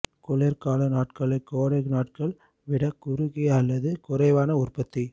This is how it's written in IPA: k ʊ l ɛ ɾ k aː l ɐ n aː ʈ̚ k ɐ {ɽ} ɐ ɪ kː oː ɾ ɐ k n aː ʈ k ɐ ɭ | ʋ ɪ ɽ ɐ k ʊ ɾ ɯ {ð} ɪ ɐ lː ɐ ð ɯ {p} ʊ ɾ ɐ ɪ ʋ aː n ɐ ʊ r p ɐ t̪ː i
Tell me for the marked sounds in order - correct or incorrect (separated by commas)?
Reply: incorrect, incorrect, incorrect